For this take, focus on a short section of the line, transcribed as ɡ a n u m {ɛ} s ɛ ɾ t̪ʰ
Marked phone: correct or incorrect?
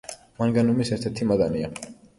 incorrect